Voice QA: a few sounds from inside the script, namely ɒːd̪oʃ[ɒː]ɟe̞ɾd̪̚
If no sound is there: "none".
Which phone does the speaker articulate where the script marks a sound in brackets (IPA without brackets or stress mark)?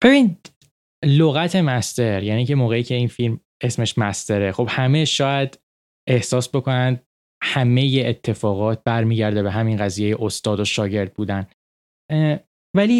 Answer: ɒː